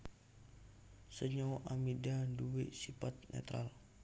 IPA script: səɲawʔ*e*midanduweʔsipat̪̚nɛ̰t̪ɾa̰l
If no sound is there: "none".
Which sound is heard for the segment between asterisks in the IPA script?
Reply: a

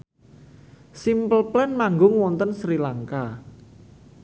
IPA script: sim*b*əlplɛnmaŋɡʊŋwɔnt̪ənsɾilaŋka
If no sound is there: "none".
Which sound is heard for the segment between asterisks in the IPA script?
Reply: p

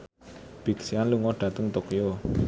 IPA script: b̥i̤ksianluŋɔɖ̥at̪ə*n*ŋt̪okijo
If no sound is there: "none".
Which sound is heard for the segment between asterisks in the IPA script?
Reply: none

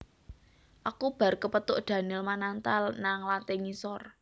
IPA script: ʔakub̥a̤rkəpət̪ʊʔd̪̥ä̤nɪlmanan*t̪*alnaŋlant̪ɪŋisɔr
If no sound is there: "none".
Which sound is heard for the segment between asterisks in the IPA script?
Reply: t̪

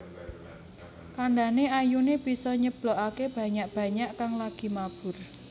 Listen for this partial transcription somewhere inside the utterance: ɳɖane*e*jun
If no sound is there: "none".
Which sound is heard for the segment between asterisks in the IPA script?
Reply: a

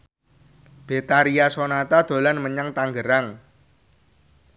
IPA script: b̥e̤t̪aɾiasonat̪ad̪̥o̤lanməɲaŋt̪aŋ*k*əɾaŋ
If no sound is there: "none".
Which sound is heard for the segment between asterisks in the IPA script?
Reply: ɡ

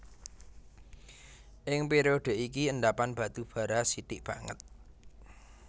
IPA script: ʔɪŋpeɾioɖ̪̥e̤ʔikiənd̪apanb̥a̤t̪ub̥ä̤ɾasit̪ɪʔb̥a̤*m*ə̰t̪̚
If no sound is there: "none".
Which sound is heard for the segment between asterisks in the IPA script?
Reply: ŋ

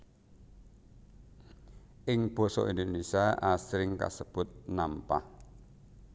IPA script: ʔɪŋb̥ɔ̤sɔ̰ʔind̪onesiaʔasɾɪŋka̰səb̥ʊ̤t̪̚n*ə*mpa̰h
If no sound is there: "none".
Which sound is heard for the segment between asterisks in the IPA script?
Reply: a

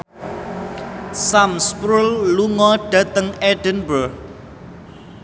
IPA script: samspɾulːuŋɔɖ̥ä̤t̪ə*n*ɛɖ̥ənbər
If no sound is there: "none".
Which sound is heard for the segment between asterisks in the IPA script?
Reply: ŋ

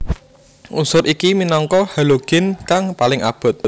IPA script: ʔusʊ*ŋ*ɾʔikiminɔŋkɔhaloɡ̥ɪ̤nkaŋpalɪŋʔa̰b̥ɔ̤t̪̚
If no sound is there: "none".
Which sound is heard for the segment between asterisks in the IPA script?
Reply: none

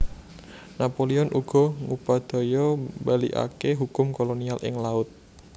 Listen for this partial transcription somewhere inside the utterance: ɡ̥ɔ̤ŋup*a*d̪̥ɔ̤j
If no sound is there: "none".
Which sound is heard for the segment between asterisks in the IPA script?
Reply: a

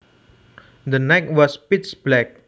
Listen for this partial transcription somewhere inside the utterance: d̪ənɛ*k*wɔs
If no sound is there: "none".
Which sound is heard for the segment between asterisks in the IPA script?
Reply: k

